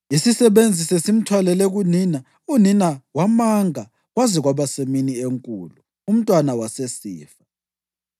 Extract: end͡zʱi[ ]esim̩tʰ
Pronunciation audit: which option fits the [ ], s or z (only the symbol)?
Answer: s